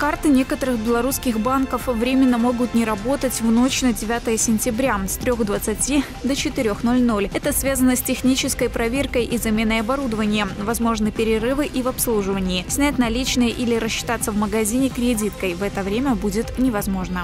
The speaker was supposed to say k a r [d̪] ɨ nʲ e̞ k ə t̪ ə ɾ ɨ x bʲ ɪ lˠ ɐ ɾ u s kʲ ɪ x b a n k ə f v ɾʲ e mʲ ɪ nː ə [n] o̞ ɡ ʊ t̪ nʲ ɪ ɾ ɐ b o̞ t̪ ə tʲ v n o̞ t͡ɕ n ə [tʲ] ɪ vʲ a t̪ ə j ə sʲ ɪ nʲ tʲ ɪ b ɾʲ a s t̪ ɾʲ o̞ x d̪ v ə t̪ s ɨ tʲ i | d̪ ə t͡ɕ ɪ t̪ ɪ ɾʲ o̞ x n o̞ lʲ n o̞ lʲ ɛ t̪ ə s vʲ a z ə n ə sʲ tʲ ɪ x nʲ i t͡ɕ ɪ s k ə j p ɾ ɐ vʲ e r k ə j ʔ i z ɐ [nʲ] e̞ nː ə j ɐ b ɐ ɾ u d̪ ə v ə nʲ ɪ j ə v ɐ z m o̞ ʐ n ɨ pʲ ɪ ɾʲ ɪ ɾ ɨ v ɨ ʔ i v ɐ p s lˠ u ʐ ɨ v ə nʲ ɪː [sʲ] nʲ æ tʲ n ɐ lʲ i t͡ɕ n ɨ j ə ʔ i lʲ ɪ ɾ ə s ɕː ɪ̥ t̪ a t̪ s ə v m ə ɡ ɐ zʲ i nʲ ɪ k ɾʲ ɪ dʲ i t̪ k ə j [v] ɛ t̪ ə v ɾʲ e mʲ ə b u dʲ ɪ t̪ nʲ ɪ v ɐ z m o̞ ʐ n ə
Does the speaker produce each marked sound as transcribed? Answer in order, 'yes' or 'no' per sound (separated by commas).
no, no, no, no, yes, yes